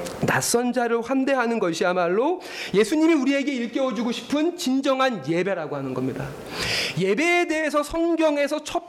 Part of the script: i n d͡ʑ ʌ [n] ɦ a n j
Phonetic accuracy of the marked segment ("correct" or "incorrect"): incorrect